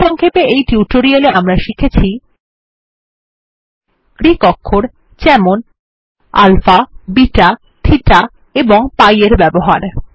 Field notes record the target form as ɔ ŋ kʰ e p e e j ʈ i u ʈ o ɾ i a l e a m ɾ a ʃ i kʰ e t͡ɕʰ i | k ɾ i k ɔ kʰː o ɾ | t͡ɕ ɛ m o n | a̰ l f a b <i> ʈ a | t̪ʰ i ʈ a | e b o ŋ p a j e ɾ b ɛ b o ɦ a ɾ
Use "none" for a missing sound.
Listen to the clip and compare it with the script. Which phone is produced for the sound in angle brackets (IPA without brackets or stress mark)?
i